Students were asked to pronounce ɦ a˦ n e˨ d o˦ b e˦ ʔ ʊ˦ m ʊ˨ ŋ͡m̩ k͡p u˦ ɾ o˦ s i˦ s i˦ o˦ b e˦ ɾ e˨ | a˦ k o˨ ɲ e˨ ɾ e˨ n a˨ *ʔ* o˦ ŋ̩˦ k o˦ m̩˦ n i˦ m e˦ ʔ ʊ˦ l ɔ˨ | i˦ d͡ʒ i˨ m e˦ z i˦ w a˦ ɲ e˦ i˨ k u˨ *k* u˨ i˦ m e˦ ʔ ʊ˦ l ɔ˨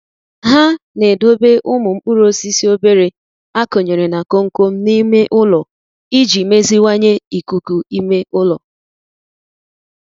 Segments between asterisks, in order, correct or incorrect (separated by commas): incorrect, correct